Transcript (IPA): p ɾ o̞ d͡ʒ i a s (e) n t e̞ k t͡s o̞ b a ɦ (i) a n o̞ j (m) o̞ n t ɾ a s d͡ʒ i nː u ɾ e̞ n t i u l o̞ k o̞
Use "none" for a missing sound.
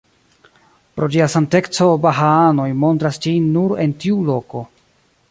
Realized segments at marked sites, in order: a, a, m

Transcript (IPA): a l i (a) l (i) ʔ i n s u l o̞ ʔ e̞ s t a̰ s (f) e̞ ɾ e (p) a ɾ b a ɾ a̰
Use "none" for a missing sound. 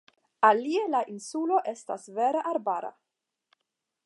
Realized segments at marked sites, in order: e, a, v, ʔ

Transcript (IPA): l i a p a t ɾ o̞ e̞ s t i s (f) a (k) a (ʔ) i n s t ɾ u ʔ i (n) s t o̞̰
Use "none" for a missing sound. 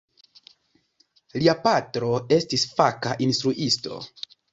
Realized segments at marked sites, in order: f, k, ʔ, none

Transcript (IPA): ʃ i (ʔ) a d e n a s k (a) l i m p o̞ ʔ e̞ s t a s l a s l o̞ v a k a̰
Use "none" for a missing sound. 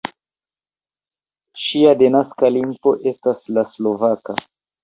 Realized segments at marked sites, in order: none, a

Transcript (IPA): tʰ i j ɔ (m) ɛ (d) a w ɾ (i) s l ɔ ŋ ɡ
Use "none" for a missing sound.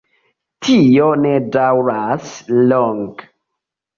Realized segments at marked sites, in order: n, d, a

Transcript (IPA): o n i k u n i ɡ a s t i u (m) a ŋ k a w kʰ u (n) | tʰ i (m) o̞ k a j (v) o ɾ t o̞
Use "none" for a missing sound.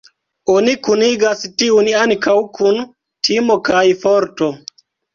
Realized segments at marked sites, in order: n, n, m, f

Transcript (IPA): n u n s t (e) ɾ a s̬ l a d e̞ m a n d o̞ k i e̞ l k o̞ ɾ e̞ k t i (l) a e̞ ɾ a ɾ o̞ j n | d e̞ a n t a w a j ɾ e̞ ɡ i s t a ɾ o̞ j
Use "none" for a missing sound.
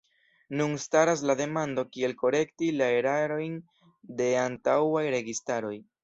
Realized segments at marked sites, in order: a, l

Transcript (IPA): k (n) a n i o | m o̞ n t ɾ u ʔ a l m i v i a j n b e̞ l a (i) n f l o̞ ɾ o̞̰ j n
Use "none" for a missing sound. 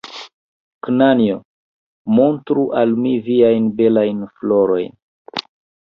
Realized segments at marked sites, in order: n, j

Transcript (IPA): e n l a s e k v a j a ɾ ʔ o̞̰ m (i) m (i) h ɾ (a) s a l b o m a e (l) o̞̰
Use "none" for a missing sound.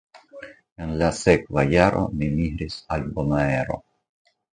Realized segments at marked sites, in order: i, i, i, ɾ

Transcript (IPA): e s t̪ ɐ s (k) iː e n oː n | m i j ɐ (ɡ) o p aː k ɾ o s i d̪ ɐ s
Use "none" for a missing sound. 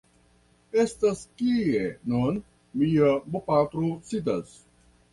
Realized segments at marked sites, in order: k, b

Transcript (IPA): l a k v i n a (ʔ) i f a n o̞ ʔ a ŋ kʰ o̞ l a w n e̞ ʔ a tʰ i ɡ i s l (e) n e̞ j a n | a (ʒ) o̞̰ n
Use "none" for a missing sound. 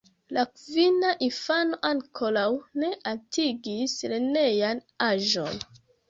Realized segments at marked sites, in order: ʔ, e, ʒ

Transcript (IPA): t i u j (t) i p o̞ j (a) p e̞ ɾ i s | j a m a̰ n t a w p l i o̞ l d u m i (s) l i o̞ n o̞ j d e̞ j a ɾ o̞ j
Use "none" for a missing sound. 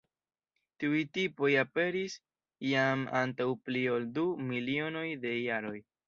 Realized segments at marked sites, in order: t, a, none

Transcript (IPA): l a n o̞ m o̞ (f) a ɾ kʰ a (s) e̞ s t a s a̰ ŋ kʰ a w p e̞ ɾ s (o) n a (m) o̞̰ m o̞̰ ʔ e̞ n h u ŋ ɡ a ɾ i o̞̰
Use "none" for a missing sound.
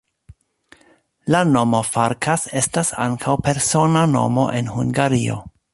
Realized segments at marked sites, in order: f, s, o, n

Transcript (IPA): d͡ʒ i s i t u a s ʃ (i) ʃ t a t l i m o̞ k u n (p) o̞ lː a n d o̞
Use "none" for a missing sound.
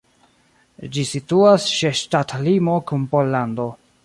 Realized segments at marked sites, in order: e, p

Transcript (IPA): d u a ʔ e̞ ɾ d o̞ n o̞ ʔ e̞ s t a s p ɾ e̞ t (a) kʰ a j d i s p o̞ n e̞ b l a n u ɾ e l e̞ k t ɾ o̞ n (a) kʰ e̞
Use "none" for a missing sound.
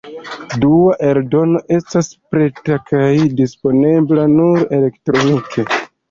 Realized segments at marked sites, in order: a, i

